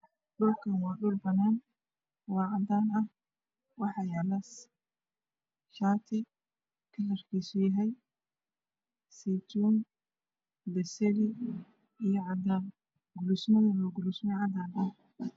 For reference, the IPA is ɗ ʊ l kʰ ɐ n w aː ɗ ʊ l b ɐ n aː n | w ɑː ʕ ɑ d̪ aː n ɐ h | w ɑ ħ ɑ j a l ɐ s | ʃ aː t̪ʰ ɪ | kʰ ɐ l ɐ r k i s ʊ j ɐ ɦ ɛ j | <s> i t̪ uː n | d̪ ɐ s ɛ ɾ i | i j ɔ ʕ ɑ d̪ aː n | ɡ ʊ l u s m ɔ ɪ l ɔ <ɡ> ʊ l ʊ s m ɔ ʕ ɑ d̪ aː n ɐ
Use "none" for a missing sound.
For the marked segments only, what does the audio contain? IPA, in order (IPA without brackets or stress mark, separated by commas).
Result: s, ɡ